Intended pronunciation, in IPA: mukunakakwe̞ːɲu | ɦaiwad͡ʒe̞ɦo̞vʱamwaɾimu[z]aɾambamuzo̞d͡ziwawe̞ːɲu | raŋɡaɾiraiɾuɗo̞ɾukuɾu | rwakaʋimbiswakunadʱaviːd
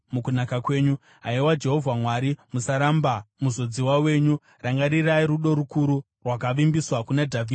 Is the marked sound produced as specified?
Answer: no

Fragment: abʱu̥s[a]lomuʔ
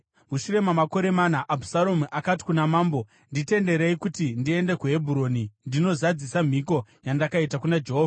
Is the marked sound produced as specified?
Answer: yes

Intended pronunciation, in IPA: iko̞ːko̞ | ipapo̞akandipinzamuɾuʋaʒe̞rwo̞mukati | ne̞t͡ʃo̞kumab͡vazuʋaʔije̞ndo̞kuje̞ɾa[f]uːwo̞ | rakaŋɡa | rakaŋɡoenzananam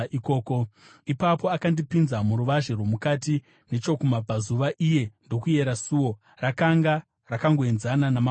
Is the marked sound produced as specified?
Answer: no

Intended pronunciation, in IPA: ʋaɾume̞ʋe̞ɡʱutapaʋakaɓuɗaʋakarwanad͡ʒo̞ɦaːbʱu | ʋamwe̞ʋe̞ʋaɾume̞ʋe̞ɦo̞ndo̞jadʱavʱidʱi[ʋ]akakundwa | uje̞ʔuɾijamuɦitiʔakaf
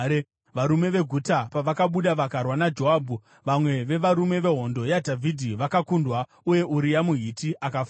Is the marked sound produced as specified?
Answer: yes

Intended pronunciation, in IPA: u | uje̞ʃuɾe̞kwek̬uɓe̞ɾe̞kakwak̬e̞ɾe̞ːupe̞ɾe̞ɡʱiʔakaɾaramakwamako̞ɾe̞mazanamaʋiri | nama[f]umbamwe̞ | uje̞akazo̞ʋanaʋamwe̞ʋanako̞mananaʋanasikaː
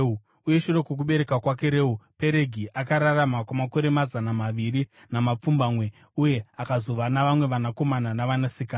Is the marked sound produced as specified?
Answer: no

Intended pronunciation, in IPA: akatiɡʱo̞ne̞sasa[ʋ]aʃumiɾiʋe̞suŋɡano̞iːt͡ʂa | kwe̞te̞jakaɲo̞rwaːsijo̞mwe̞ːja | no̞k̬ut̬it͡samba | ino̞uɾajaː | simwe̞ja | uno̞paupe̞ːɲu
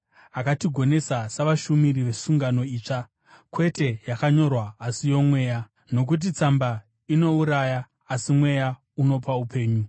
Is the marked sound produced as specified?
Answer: yes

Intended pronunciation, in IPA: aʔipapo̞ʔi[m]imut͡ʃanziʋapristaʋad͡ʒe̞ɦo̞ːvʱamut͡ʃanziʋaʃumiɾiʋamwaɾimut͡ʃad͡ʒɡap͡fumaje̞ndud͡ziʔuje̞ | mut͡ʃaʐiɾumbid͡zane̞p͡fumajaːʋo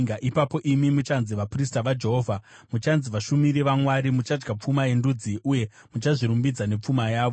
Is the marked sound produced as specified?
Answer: yes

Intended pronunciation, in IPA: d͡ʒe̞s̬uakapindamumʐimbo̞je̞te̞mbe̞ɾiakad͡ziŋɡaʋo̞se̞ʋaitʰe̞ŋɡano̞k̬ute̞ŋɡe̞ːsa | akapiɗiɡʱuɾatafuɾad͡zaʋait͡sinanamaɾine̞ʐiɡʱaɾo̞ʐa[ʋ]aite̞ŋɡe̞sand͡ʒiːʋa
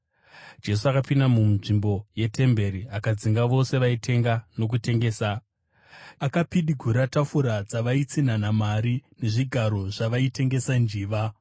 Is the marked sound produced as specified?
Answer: yes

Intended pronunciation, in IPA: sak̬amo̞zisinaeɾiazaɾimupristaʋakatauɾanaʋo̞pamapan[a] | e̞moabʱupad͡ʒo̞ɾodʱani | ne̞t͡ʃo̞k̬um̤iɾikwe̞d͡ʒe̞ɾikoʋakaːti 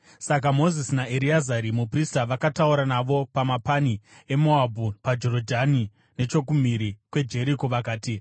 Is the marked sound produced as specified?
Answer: no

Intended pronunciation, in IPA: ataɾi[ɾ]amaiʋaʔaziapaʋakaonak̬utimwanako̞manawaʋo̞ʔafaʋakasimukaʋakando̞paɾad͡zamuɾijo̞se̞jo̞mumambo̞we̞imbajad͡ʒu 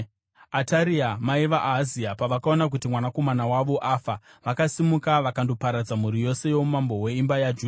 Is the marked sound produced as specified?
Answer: no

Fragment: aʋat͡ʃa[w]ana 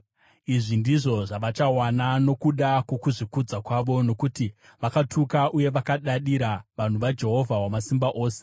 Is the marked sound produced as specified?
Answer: yes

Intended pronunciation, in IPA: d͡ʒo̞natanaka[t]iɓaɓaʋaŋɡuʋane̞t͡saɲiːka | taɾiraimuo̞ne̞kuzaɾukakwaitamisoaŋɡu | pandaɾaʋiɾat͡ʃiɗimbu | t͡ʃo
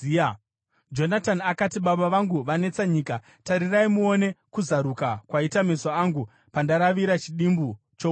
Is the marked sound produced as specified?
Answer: yes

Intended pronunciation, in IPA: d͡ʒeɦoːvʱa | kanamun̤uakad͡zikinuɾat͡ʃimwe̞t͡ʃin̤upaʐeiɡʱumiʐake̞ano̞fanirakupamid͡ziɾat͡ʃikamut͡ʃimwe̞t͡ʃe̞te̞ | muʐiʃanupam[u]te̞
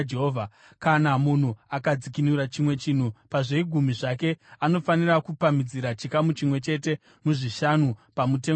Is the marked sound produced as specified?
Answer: yes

